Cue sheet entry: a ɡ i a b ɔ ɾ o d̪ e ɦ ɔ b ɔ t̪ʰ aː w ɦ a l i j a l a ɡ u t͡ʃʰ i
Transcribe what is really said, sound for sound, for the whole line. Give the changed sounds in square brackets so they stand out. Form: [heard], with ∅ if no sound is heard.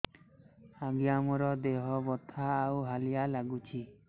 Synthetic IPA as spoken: a ɡ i a [m] ɔ ɾ [ɔ] d̪ e ɦ ɔ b ɔ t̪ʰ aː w ɦ a l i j a l a ɡ u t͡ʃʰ i